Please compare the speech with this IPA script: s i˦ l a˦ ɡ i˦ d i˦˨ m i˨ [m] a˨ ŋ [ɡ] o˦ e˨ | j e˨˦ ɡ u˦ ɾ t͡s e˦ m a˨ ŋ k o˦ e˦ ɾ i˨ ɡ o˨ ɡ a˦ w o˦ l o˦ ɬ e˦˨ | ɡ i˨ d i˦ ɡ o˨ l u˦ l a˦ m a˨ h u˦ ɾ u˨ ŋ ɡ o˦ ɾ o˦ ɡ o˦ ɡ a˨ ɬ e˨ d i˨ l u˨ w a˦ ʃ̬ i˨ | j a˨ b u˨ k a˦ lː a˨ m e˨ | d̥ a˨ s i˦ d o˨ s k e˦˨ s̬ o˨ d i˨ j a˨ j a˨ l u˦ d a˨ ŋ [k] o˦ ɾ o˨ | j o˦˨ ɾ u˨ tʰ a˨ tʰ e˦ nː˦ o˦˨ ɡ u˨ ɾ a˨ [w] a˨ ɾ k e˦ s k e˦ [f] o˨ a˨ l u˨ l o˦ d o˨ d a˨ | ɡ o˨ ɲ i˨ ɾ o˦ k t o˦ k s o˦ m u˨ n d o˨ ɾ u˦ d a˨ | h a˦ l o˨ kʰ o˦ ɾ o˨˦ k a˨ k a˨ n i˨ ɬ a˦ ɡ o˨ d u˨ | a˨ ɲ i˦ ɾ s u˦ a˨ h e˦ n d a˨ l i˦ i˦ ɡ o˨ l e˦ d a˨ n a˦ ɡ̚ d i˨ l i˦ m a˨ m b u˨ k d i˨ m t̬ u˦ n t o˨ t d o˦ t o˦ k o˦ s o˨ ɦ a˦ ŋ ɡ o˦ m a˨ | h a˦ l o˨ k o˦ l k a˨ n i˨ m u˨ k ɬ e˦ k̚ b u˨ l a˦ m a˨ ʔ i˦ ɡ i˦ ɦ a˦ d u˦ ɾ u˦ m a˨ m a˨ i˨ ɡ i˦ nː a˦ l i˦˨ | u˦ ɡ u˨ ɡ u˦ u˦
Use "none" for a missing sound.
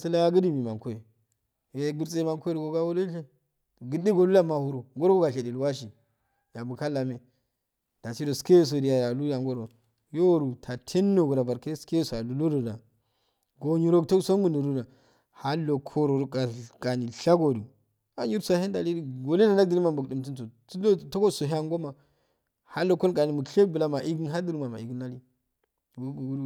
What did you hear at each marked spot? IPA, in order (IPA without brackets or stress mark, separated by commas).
m, k, ɡ, b, s